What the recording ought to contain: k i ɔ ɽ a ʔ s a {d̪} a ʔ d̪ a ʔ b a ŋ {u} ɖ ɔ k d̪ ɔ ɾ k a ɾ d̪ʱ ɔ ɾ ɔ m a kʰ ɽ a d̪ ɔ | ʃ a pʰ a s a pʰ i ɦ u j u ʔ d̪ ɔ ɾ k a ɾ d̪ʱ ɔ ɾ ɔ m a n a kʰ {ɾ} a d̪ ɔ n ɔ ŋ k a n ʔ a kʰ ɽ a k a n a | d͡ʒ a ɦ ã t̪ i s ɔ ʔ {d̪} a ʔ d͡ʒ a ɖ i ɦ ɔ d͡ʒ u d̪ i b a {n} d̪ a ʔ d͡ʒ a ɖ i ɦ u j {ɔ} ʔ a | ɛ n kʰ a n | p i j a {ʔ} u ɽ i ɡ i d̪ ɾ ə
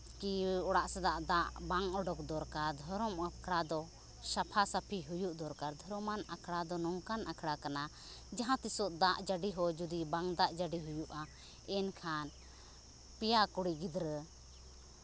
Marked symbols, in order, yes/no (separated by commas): yes, no, no, yes, no, no, no